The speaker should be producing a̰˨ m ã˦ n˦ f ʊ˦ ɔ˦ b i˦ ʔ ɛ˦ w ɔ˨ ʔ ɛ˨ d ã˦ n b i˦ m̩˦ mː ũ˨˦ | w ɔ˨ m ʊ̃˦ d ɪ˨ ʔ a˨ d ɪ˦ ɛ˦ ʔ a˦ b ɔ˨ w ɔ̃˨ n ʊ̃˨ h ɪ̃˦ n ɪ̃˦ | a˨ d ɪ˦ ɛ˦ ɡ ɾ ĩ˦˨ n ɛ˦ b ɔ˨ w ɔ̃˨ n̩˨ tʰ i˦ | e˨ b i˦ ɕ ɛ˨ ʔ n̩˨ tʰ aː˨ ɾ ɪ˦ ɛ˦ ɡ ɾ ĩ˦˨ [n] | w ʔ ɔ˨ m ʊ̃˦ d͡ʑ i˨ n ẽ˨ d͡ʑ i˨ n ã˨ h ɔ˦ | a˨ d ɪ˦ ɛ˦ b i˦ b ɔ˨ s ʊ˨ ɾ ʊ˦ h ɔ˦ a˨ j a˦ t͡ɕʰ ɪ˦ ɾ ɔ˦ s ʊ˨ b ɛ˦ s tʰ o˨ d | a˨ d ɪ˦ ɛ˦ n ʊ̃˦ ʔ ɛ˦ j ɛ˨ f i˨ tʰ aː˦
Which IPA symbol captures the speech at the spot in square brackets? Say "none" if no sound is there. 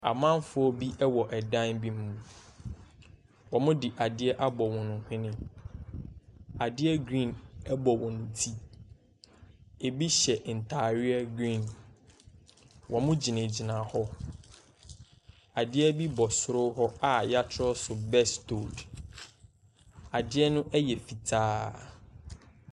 n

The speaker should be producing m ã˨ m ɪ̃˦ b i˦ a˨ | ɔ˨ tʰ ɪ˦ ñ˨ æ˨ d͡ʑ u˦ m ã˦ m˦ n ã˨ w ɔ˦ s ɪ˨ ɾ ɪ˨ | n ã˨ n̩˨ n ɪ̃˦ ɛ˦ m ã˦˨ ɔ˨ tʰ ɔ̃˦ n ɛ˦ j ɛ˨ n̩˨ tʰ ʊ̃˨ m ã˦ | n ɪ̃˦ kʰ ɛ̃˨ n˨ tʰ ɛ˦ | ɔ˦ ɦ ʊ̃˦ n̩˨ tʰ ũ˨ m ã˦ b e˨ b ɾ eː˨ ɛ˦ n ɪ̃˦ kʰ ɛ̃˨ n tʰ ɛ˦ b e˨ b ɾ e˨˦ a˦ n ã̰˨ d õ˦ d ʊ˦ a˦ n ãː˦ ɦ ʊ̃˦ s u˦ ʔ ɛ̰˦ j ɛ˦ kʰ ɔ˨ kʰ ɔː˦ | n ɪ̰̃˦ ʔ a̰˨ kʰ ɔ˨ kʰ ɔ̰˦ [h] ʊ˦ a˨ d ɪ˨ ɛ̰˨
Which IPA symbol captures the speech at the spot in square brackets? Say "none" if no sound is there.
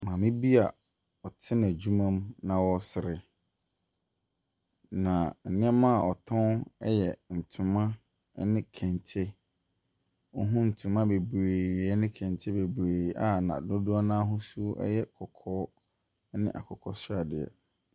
s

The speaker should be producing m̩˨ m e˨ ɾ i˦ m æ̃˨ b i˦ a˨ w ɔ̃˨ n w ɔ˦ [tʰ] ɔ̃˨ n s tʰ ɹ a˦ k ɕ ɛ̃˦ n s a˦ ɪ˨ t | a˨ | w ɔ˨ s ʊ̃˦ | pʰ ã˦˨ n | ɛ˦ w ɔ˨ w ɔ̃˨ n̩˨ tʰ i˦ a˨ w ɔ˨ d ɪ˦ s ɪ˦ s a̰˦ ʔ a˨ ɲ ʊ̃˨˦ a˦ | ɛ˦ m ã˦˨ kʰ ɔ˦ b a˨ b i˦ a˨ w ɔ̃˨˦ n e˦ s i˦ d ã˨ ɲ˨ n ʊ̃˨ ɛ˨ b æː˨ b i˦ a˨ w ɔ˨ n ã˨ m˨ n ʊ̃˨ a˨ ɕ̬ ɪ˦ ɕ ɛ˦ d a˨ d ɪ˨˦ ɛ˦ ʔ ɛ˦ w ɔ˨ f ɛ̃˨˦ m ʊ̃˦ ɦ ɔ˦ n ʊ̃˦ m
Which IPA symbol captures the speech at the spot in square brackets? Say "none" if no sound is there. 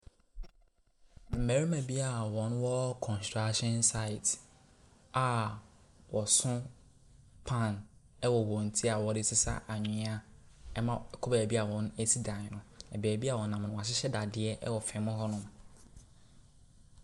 kʰ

